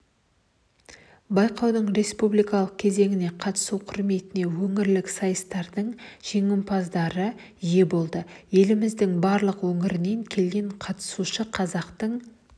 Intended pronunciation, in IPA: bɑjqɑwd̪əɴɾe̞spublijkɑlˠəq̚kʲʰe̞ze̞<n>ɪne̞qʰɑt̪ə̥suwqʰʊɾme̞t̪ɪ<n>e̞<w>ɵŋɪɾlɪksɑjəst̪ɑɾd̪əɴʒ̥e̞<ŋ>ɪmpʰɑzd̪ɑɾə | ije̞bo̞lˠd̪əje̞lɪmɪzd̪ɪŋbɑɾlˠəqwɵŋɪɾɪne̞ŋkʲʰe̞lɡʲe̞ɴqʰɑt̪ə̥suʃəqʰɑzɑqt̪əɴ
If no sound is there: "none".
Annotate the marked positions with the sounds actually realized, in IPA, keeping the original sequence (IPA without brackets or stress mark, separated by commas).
ŋ, n, w, ŋ